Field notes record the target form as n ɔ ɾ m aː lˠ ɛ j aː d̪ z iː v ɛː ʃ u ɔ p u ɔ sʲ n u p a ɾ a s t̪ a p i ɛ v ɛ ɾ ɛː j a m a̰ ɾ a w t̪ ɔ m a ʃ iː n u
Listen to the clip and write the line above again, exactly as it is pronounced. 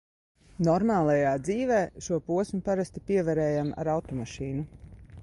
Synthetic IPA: n ɔ ɾ m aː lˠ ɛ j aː d̪ z iː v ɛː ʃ u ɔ p u ɔ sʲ m u p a ɾ a s t̪ i p i ɛ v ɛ ɾ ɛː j a m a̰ ɾ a w t̪ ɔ m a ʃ iː n u